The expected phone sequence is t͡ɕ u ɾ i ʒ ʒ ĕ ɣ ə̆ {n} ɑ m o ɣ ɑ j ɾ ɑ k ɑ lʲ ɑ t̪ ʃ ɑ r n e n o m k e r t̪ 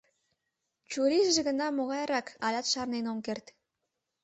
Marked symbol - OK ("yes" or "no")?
yes